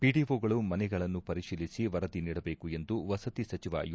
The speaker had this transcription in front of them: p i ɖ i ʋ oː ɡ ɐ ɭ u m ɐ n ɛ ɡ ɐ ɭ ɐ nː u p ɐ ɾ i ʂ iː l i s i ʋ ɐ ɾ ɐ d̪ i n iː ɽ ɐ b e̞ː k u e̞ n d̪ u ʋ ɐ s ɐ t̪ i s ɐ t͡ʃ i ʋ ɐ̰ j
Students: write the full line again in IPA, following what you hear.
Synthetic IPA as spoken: p i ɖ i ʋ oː ɡ ɐ ɭ u m ɐ n ɛ ɡ ɐ ɭ ɐ nː u p ɐ ɾ i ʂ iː l i s i ʋ ɐ ɾ ɐ d̪ i n iː ɽ ɐ b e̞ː k u e̞ n d̪ u ʋ ɐ s ɐ t̪ i s ɐ t͡ʃ i ʋ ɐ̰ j